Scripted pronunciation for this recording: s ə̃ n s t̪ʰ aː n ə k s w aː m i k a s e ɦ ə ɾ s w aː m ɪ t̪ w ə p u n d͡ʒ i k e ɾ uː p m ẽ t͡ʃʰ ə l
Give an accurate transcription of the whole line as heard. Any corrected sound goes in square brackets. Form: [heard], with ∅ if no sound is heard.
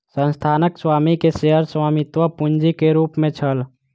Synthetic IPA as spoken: s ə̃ n s t̪ʰ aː n ə k s w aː m i k [e] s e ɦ ə ɾ s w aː m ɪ t̪ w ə p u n d͡ʒ i k e ɾ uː p m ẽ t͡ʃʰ ə l